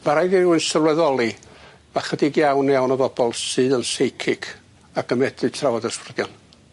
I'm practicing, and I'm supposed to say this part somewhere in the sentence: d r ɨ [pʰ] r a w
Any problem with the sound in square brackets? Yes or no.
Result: yes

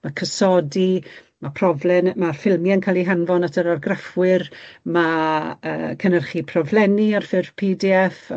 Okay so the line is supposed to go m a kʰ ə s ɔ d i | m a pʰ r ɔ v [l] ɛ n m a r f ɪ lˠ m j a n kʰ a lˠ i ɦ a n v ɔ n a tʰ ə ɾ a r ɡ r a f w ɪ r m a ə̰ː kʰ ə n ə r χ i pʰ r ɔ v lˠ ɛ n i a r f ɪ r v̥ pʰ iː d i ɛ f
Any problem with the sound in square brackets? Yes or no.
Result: no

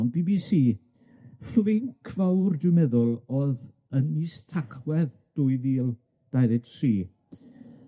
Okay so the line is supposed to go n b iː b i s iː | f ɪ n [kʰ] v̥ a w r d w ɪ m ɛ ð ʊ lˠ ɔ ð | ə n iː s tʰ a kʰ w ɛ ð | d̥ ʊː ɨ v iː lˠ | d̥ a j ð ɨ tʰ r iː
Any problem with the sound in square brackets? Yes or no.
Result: no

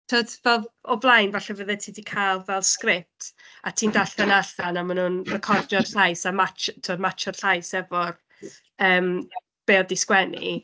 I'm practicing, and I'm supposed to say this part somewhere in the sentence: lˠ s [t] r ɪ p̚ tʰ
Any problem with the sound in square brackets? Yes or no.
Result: yes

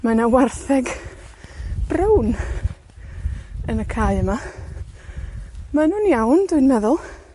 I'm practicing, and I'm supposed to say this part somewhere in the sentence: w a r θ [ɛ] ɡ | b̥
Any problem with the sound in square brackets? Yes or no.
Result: no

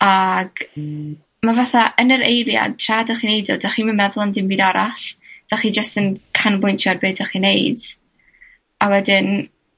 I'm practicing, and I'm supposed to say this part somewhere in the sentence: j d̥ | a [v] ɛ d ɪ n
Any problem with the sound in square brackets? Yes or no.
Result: yes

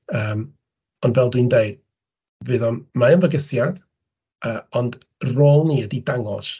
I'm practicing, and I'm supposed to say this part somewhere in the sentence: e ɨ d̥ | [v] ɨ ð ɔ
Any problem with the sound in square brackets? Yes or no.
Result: no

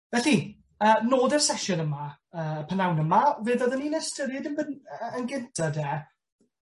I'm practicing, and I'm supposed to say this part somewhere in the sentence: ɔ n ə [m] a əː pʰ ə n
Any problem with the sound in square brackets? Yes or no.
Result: no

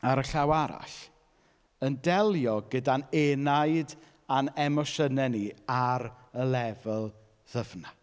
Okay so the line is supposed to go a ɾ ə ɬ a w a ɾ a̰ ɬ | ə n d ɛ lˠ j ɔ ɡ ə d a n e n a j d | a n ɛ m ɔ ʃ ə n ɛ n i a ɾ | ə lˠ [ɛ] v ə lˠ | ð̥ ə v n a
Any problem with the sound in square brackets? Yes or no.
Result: no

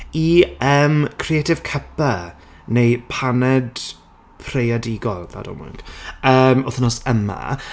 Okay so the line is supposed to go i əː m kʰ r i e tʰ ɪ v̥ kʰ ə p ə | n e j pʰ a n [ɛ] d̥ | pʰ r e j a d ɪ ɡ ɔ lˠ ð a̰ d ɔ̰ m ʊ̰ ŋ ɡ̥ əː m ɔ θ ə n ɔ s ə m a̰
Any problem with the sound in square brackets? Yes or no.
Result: no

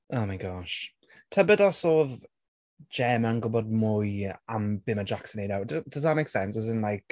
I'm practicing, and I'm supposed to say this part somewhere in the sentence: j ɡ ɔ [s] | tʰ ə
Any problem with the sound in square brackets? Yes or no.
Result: yes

